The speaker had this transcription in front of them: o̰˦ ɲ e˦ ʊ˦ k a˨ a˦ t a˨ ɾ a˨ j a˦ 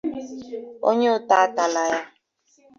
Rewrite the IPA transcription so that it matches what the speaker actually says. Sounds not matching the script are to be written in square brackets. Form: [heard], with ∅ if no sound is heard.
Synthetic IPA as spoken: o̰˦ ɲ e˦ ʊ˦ [t] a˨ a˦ t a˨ [l] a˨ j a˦

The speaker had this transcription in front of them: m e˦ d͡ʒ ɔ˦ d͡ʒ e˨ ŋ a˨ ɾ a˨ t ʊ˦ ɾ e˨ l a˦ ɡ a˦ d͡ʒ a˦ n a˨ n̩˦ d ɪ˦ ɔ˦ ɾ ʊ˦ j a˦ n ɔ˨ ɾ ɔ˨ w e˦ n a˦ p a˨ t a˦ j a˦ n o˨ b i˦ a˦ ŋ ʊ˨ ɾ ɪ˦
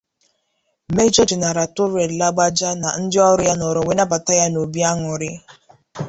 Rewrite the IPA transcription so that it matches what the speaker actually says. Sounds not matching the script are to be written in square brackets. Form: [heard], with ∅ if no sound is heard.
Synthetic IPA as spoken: m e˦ d͡ʒ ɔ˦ d͡ʒ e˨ [n] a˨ ɾ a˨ t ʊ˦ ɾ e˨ l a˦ [ɡ͡b] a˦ d͡ʒ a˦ n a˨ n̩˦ d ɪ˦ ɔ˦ ɾ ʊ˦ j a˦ n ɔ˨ ɾ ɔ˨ w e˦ n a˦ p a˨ t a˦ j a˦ n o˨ b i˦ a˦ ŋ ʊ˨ ɾ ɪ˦

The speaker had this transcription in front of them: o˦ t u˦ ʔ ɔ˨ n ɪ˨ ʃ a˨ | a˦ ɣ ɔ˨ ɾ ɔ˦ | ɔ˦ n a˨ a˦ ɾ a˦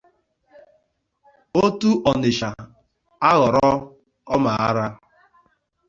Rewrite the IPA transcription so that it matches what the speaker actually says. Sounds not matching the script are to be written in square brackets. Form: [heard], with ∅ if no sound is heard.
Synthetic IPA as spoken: o˦ t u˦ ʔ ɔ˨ n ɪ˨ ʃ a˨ | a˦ ɣ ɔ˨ ɾ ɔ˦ | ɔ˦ [m] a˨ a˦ ɾ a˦

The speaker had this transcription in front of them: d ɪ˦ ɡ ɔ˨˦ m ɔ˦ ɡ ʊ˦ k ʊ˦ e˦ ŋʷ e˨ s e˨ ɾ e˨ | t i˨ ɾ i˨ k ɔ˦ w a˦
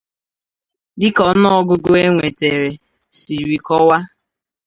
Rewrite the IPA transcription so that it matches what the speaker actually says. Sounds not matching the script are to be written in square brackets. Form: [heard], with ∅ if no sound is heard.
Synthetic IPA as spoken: d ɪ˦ [k] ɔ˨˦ [n] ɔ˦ ɡ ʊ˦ [ɡ] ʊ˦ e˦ ŋʷ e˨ [t] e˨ ɾ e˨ | [s] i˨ ɾ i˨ k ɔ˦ w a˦

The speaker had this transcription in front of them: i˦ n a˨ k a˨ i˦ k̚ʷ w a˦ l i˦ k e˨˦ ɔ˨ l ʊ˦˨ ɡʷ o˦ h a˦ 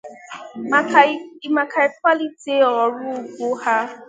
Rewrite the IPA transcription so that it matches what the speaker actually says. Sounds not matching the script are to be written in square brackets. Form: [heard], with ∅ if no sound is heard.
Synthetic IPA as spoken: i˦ [m] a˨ k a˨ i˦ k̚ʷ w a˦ l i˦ [t] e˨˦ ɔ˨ [ɾ] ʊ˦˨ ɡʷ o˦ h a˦

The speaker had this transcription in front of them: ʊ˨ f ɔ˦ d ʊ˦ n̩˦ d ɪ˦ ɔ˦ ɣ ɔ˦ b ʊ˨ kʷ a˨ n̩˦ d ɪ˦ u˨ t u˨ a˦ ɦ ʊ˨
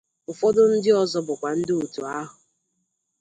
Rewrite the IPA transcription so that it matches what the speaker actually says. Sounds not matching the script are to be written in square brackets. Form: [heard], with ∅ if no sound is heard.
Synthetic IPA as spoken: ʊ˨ f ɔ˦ d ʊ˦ n̩˦ d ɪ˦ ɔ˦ [z] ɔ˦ b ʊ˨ kʷ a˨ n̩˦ d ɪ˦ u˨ t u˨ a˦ ɦ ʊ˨

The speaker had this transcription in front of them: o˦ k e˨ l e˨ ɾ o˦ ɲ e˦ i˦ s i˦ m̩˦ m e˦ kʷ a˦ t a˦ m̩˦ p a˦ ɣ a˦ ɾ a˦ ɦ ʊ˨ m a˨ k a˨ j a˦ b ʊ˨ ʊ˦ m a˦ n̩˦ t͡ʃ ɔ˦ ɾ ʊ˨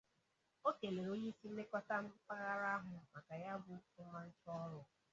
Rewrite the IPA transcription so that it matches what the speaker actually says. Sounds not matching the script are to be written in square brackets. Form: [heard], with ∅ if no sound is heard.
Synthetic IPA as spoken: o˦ k e˨ l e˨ ɾ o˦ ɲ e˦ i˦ s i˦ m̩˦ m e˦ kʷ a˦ t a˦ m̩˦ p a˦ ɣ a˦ ɾ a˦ ɦ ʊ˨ m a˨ k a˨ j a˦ b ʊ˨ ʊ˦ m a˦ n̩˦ t͡ʃ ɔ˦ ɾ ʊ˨

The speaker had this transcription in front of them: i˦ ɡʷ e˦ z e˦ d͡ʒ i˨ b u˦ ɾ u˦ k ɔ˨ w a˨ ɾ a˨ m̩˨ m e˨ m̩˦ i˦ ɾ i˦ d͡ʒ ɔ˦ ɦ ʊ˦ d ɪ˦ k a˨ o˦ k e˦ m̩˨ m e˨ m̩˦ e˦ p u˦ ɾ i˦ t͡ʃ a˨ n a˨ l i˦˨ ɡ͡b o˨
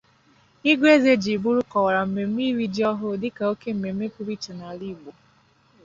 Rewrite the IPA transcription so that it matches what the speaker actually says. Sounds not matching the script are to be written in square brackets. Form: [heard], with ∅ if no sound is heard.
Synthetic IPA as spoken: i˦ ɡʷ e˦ z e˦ d͡ʒ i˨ b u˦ ɾ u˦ k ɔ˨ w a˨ ɾ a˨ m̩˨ m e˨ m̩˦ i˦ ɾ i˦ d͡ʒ ɔ˦ ɦ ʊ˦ d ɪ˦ k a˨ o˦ k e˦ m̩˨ m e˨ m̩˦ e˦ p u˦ ɾ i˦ t͡ʃ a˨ n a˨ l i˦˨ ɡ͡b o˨

